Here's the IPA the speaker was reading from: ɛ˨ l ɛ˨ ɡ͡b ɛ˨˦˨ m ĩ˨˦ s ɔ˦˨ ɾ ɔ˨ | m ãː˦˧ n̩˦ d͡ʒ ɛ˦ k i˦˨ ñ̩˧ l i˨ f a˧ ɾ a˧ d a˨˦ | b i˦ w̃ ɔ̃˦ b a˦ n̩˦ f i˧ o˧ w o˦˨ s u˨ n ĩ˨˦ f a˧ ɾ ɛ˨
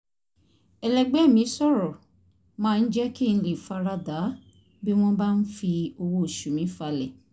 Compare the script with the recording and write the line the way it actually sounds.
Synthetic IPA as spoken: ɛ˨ l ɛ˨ ɡ͡b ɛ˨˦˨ m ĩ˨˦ s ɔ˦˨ ɾ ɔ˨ | m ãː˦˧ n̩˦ d͡ʒ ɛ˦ k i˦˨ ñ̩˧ l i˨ f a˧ ɾ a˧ d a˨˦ | b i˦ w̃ ɔ̃˦ b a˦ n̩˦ f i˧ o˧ w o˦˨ ʃ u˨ m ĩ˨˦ f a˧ l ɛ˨

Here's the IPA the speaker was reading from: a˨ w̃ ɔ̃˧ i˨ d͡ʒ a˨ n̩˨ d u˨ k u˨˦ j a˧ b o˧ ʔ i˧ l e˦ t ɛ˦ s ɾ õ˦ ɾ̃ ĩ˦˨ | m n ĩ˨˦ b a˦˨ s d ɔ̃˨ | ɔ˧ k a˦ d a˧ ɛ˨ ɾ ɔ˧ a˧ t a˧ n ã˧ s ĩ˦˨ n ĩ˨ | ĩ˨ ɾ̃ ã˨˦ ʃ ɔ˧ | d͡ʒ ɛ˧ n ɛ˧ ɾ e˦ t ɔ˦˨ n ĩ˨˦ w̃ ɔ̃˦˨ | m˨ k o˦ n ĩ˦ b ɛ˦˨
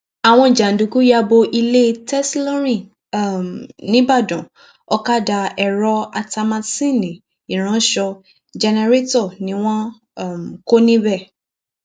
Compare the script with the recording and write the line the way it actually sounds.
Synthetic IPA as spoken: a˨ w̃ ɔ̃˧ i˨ d͡ʒ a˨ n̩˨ d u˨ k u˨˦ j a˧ b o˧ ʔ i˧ l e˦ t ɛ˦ s l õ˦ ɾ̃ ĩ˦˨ | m n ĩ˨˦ b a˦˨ d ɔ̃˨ | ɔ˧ k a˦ d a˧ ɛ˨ ɾ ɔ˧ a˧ t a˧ m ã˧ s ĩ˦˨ n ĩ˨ | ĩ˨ ɾ̃ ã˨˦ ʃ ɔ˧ | d͡ʒ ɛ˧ n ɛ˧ ɾ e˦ t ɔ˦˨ n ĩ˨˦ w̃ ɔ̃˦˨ | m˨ k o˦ n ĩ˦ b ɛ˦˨

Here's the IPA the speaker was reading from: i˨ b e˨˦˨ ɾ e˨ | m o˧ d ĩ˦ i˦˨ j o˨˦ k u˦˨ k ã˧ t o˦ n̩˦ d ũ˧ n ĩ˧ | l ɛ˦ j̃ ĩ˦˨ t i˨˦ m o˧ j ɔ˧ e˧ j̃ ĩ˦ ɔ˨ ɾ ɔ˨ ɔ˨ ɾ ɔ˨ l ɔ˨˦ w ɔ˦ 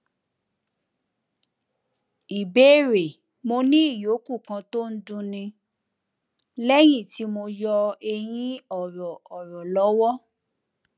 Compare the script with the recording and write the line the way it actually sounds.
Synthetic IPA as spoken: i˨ b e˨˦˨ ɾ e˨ | m o˧ n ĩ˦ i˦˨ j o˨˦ k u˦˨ k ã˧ t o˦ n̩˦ d ũ˧ n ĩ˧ | l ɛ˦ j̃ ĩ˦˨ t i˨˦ m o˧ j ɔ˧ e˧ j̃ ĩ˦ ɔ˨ ɾ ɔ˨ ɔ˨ ɾ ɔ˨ l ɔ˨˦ w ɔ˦

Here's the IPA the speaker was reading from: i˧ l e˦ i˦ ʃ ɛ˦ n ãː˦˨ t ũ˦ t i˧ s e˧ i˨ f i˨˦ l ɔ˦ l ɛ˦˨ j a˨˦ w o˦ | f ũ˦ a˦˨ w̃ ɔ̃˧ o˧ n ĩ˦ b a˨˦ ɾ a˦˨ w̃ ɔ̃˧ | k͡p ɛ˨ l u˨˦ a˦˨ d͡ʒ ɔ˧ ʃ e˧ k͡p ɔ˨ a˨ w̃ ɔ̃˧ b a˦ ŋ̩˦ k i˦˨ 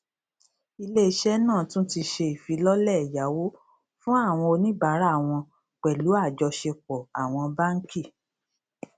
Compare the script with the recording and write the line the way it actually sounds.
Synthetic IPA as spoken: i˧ l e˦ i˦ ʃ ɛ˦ n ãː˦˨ t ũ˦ t i˧ ʃ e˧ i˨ f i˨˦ l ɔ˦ l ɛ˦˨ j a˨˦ w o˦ | f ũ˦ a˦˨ w̃ ɔ̃˧ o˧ n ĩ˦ b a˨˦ ɾ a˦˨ w̃ ɔ̃˧ | k͡p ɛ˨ l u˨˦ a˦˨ d͡ʒ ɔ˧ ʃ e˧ k͡p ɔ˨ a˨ w̃ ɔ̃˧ b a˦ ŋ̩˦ k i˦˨

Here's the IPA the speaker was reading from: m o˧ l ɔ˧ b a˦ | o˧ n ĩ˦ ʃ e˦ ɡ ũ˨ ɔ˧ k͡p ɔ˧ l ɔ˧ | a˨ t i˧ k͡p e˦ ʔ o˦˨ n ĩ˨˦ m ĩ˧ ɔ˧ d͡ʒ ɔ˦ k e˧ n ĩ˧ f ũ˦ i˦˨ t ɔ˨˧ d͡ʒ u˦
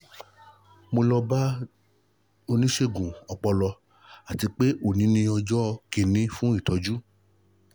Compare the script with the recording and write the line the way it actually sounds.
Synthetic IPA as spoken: m o˧ l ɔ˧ b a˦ | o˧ n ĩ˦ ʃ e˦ ɡ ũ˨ ɔ˧ k͡p ɔ˧ l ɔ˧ | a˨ t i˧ k͡p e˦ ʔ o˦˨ n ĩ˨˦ n ĩ˧ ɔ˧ d͡ʒ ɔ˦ k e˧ n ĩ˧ f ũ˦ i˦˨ t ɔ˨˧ d͡ʒ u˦

